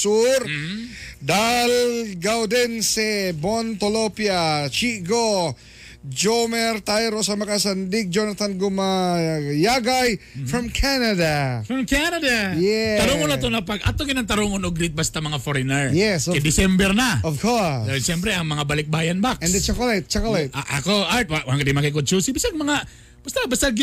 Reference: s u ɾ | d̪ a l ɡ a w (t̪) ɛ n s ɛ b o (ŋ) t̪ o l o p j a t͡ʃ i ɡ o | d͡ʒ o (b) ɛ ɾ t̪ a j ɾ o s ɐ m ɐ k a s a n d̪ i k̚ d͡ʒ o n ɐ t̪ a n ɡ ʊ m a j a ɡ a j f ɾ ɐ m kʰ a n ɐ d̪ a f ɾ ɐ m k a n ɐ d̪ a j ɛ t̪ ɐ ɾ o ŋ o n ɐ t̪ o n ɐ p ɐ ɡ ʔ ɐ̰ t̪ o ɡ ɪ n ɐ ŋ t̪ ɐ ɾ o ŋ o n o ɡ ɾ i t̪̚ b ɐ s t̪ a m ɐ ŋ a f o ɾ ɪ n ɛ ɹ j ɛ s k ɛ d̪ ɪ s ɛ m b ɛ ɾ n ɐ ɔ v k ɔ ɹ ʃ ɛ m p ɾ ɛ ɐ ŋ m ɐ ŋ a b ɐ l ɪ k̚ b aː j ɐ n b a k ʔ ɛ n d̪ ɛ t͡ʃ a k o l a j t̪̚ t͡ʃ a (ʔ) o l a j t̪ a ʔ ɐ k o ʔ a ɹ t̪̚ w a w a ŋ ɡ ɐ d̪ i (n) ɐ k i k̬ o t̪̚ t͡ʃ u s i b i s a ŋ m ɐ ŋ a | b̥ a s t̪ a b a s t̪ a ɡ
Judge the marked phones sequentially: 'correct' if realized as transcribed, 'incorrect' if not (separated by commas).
incorrect, incorrect, incorrect, incorrect, incorrect